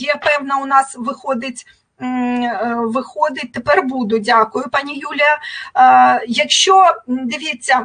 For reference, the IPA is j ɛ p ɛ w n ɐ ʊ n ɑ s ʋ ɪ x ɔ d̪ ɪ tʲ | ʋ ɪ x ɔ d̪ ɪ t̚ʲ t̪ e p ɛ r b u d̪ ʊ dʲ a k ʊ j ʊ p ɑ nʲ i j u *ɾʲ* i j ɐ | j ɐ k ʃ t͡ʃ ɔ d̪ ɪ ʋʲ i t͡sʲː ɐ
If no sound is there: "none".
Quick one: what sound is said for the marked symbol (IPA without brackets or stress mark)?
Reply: lʲ